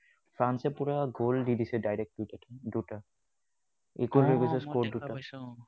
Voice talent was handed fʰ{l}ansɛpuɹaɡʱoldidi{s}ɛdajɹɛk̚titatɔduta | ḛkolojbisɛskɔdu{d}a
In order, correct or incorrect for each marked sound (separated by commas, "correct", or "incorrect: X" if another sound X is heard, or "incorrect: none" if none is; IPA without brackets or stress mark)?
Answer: incorrect: ɹ, correct, incorrect: t